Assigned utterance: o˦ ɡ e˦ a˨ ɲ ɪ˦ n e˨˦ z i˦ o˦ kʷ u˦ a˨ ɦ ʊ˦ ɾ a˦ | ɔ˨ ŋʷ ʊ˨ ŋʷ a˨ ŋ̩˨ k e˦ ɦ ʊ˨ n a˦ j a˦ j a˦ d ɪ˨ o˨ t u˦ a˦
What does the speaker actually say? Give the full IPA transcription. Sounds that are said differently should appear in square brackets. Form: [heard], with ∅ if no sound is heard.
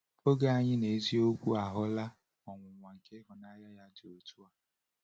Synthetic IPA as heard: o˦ ɡ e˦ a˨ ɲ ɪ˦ n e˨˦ z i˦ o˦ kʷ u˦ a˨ ɦ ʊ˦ [l] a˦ | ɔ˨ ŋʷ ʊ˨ ŋʷ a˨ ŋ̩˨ k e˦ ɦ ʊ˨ n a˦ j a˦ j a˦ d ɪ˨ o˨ t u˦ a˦